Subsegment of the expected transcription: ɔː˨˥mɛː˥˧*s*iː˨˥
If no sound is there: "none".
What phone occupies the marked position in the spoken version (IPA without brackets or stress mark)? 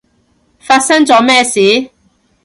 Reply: s